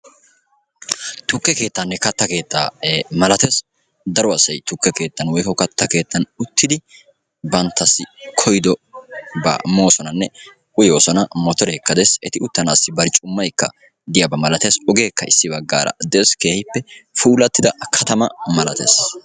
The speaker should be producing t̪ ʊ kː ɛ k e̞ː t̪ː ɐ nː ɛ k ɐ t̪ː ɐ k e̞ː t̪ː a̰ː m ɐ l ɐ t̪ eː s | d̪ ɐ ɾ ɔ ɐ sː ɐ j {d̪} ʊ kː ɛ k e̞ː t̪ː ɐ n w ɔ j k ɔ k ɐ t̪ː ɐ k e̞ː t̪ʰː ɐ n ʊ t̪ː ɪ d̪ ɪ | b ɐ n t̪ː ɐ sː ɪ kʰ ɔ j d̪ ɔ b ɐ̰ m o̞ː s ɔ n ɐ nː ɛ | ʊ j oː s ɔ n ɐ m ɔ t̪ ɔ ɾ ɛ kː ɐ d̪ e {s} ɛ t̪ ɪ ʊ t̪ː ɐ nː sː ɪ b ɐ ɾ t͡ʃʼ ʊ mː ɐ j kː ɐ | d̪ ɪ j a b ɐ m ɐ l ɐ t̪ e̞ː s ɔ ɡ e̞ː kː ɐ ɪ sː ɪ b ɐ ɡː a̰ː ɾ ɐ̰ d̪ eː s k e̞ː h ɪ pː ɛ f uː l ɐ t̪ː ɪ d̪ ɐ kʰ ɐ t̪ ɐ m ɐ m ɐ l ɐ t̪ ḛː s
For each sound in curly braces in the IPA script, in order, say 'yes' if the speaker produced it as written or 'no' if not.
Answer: no, yes

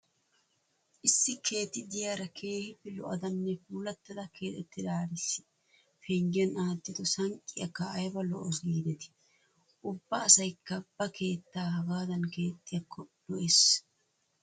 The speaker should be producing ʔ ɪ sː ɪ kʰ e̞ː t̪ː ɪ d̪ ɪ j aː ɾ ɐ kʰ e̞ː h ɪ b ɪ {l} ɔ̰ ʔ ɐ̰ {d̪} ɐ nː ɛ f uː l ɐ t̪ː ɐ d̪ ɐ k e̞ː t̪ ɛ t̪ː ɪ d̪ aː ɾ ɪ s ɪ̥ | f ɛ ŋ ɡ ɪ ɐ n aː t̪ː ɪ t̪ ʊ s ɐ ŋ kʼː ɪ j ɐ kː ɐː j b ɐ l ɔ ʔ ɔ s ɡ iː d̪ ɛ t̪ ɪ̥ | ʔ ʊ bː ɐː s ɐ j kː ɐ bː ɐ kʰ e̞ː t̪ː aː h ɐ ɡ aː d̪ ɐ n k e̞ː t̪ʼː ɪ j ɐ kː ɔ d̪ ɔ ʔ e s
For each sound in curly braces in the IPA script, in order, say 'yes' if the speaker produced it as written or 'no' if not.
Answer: yes, yes

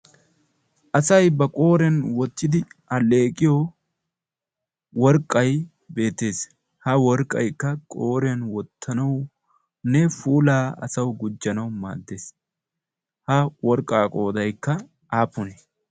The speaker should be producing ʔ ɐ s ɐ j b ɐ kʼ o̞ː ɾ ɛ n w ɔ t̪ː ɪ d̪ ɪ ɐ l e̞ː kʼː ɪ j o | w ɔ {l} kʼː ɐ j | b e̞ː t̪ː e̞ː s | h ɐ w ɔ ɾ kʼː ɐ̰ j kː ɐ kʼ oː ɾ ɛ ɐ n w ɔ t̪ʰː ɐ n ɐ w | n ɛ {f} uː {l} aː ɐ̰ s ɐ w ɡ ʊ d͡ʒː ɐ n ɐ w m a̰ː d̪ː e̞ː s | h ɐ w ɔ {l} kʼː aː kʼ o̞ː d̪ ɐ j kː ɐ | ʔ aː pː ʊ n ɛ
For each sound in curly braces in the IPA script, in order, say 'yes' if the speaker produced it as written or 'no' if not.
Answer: no, yes, yes, no

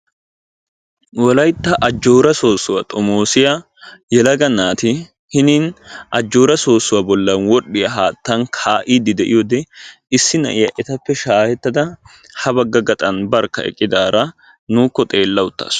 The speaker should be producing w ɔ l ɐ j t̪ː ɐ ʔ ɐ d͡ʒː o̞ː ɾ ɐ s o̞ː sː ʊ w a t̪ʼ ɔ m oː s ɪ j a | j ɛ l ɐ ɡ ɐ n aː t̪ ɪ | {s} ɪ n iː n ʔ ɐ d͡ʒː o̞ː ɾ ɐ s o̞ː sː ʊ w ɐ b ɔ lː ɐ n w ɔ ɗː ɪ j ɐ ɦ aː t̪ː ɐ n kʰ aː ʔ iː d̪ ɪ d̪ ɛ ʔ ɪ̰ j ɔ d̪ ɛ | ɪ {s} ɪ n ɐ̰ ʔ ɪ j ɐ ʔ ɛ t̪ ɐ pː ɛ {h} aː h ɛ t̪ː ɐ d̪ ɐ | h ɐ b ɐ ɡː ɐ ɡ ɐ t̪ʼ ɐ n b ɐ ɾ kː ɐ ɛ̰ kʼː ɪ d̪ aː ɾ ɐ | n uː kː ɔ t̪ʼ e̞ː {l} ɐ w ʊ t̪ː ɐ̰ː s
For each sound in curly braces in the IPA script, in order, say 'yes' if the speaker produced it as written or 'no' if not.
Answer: no, no, no, no

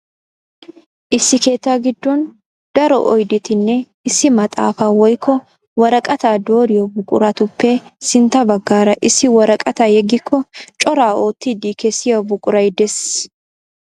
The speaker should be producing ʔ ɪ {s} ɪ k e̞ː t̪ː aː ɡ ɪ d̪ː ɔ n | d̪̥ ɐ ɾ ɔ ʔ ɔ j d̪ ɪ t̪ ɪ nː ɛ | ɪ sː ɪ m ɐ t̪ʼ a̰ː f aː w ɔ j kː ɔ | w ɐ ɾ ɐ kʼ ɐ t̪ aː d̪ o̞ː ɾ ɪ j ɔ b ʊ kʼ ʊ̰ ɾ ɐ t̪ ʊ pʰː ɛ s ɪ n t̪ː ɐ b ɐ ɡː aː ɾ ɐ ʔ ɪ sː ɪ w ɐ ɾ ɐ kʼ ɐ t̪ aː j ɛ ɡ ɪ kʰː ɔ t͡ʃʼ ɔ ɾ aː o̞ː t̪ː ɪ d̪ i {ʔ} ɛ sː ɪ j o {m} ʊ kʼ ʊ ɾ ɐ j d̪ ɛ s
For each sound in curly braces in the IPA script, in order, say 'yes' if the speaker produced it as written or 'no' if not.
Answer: no, no, no

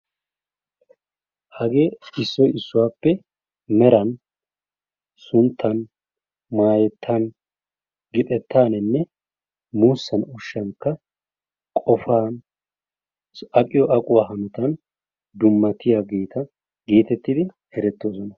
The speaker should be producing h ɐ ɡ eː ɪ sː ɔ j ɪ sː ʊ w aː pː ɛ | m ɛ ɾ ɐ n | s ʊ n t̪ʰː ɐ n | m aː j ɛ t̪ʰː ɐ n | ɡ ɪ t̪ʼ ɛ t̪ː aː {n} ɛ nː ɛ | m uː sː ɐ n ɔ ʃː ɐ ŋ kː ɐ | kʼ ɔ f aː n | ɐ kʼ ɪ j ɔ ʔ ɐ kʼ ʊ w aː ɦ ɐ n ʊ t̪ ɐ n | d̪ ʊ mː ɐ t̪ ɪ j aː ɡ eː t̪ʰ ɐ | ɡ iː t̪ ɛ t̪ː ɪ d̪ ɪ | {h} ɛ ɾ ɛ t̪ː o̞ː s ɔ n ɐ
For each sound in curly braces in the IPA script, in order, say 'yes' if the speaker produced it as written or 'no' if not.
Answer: yes, yes

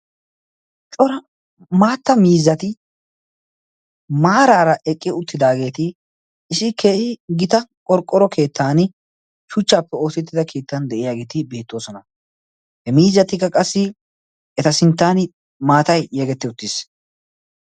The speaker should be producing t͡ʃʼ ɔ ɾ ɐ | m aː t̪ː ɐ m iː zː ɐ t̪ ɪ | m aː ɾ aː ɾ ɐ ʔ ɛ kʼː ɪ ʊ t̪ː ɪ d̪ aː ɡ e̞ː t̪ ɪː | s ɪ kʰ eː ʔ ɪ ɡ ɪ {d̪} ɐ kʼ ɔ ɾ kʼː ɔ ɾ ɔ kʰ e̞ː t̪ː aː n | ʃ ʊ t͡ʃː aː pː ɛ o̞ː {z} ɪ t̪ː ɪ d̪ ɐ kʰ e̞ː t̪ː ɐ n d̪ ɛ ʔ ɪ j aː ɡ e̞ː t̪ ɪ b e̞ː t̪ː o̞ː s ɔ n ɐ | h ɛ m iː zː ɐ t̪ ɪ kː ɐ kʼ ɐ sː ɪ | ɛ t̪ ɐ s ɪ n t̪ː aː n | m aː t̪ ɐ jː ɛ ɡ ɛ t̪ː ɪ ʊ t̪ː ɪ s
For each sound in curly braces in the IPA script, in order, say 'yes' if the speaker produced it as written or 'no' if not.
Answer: no, no

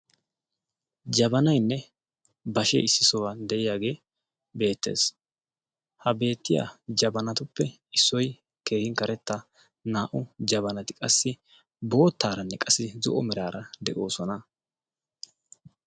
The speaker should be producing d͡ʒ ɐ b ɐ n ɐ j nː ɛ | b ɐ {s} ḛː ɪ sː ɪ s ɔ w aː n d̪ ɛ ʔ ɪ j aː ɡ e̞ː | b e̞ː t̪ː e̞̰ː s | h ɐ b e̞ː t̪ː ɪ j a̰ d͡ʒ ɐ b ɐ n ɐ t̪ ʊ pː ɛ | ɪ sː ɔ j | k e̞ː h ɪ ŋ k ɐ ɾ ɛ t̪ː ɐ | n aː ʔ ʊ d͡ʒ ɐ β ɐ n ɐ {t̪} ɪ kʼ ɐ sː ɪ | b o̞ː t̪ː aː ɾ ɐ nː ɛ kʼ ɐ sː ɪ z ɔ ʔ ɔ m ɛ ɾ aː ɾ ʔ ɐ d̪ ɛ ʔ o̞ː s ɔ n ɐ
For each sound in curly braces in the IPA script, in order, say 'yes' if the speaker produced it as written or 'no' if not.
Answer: no, yes

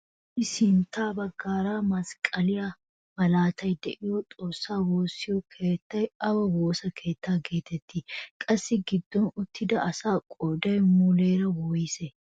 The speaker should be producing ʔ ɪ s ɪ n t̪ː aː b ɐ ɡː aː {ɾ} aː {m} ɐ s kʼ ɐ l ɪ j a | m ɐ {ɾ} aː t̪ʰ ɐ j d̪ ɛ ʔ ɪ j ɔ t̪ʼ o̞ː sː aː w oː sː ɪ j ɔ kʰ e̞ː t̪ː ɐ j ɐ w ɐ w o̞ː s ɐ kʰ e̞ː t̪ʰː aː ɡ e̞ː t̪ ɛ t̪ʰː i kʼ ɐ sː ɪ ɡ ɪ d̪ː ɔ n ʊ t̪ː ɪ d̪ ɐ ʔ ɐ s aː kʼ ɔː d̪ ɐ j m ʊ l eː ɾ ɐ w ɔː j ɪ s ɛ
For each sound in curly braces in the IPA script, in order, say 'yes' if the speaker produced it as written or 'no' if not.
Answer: yes, yes, no

